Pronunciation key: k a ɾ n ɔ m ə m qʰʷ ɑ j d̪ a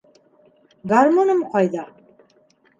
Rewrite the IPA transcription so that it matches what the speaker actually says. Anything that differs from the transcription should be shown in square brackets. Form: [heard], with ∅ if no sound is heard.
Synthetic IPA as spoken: [ɡ] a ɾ [m] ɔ [n] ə m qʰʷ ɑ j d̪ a